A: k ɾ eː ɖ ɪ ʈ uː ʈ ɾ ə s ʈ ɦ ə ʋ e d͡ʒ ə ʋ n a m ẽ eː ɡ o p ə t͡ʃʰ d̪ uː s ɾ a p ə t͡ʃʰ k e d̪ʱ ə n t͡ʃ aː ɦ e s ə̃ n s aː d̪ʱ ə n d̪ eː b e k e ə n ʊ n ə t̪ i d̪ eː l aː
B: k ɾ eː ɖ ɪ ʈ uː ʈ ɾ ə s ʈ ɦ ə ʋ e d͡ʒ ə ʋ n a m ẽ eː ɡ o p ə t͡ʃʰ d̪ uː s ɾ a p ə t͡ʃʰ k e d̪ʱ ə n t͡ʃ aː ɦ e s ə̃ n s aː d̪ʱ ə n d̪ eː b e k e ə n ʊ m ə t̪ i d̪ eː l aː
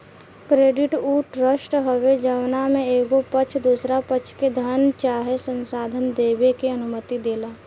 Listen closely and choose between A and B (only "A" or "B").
B